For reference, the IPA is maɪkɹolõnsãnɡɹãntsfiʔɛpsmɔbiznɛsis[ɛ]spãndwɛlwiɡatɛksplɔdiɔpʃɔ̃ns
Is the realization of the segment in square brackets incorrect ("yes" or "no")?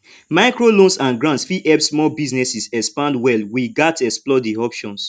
no